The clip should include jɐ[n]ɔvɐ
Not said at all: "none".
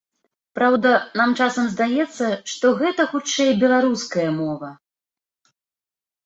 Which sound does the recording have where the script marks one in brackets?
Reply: m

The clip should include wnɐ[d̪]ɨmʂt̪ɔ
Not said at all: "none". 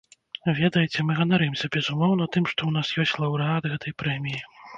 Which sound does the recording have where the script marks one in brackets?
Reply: t̪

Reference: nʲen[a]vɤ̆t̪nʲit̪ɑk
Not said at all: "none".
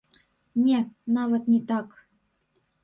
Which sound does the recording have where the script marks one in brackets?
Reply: ɑ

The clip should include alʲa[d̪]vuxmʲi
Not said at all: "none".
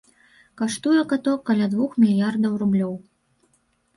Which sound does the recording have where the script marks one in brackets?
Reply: d̪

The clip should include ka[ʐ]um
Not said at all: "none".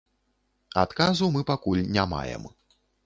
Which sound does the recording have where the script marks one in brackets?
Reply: z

